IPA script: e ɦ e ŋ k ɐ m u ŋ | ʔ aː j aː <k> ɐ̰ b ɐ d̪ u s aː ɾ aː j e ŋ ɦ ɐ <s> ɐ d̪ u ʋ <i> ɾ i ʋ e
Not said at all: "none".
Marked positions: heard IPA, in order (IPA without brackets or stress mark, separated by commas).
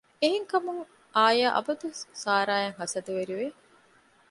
ʔ, s, e